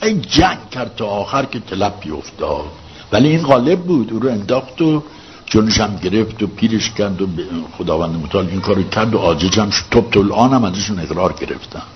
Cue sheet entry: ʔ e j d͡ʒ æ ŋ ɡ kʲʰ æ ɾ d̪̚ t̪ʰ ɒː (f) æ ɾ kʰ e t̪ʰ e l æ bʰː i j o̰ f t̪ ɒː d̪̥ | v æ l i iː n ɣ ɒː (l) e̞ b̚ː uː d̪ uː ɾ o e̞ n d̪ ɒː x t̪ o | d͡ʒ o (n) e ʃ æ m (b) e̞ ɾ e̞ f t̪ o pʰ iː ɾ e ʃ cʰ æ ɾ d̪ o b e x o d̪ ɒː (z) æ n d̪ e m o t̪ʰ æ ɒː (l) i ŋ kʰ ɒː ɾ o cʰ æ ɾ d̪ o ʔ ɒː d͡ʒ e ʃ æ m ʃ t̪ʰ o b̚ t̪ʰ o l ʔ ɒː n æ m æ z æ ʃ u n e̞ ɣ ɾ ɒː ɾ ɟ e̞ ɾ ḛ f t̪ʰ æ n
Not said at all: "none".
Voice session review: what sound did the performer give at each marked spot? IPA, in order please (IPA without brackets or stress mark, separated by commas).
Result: x, l, n, ɟ, v, l